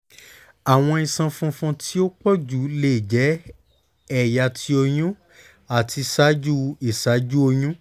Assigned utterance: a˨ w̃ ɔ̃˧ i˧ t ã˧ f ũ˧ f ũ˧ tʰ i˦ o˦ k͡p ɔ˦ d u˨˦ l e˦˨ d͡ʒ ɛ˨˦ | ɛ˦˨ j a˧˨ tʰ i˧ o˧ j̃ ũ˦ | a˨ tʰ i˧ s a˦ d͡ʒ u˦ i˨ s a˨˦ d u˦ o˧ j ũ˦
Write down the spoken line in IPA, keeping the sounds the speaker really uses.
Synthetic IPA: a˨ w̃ ɔ̃˧ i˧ s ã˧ f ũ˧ f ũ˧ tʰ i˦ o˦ k͡p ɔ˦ d͡ʒ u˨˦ l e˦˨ d͡ʒ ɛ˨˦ | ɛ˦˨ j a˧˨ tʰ i˧ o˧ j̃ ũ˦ | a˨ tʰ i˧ s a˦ d͡ʒ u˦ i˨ s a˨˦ d͡ʒ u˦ o˧ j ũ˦